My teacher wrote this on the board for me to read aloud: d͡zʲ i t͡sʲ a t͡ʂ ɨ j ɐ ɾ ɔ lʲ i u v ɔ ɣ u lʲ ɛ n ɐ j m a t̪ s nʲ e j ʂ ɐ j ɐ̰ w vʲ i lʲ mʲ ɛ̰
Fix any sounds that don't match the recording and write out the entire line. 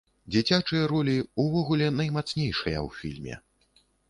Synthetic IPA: d͡zʲ i t͡sʲ a t͡ʂ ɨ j ɐ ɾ ɔ lʲ i u v ɔ ɣ u lʲ ɛ n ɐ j m a t̪ s nʲ e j ʂ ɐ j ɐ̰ w fʲ i lʲ mʲ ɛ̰